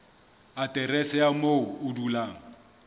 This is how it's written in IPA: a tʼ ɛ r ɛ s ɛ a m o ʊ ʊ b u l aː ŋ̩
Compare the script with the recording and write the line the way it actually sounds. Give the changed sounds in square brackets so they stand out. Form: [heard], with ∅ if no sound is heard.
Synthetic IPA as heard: a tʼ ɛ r ɛ s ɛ a m o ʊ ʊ [d] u l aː ŋ̩